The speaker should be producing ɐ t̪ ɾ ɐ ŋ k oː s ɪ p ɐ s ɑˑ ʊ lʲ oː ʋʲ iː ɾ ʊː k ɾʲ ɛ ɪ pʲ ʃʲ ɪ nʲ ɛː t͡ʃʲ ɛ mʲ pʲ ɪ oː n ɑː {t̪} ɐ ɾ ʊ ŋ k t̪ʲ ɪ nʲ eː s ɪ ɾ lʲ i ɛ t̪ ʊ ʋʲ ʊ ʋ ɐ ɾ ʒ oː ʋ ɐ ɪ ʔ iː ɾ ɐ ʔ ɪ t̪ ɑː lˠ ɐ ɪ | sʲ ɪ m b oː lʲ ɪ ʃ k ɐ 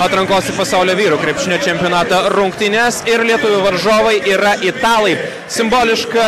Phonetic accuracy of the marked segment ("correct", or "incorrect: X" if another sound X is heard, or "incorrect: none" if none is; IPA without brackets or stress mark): correct